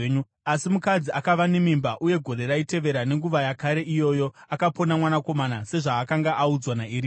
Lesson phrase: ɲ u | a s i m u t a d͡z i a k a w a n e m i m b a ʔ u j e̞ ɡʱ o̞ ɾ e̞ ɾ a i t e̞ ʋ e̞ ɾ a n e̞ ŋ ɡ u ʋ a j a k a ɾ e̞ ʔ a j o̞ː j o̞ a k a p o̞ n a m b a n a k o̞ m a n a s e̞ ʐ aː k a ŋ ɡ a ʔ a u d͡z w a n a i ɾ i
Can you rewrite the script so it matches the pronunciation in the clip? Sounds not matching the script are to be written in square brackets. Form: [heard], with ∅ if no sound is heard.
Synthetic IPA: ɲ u | a s i m u [k] a d͡z i a k a [ʋ] a n e m i m b a ʔ u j e̞ ɡʱ o̞ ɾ e̞ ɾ a i t e̞ ʋ e̞ ɾ a n e̞ ŋ ɡ u ʋ a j a k a ɾ e̞ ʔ [i] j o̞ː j o̞ a k a p o̞ n a m [w] a n a k o̞ m a n a s e̞ ʐ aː k a ŋ ɡ a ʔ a u d͡z w a n a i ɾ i